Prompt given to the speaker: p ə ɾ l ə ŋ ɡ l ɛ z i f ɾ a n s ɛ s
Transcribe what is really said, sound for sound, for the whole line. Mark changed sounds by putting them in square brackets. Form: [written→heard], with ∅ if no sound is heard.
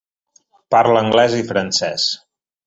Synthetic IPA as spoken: p [ə→a] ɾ l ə ŋ ɡ l ɛ z i f ɾ [a→ə] n s ɛ s